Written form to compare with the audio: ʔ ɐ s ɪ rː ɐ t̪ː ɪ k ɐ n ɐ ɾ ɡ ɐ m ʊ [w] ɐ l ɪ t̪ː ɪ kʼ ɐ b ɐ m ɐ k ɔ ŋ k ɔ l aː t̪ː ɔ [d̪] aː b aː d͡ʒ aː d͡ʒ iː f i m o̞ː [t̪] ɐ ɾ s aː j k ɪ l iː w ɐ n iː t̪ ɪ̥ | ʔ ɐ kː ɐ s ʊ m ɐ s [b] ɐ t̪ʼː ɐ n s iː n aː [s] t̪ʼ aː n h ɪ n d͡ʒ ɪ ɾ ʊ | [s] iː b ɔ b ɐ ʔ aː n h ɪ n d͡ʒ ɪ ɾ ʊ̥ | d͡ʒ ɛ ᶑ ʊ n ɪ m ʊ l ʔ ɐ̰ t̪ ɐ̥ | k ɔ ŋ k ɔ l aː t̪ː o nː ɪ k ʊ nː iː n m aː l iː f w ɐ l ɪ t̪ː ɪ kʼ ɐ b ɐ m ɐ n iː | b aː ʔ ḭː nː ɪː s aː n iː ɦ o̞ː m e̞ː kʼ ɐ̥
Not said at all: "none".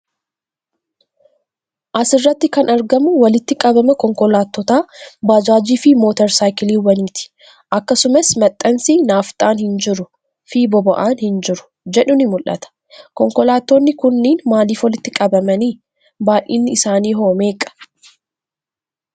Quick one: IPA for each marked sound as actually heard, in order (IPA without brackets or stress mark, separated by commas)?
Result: w, t̪, t̪, m, f, f